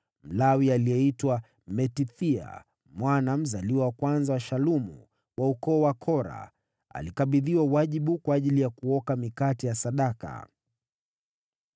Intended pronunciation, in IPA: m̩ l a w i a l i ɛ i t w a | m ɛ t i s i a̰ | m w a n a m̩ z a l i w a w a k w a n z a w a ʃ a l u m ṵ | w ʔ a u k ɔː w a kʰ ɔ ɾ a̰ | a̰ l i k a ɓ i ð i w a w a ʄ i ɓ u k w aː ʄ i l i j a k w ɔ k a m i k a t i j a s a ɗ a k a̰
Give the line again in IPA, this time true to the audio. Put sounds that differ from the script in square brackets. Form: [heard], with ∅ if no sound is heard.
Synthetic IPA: m̩ l a w i a l i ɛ i t w a | m ɛ t i [θ] i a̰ | m w a n a m̩ z a l i w a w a k w a n z a w a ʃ a l u m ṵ | w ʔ a u k ɔː w a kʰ ɔ ɾ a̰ | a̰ l i k a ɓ i ð i w a w a ʄ i ɓ u k w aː ʄ i l i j a k [u] ɔ k a m i k a t i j a s a ɗ a k a̰